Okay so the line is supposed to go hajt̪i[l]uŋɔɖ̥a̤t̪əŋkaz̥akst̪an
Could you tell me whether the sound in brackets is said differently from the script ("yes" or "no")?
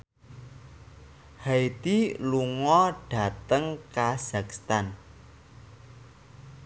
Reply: no